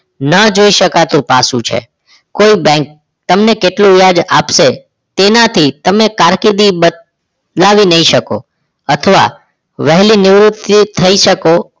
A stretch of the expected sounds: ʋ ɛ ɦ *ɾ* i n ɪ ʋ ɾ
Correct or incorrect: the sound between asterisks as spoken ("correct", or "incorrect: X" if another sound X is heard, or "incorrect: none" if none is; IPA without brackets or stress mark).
incorrect: l